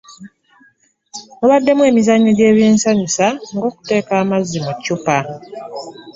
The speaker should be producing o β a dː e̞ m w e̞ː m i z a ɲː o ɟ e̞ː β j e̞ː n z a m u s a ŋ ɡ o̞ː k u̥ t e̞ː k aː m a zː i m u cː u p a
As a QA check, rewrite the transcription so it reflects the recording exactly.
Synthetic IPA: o β a dː e̞ m w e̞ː m i z a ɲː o ɟ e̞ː β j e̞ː n s a ɲ u s a ŋ ɡ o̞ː k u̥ t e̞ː k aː m a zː i m u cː u p a